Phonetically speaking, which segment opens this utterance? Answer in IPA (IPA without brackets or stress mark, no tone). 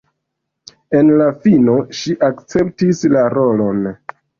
e̞